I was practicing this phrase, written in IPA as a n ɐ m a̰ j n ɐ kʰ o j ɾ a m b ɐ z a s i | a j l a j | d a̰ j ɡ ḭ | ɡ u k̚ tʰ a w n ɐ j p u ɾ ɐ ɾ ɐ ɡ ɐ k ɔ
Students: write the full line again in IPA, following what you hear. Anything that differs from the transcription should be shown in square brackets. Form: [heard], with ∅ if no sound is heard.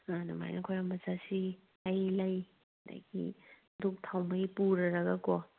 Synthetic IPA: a n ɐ m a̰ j n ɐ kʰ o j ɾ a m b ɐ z a s i | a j l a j | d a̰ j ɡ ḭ | [d] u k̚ tʰ a w [m] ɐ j p u ɾ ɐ ɾ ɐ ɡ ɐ k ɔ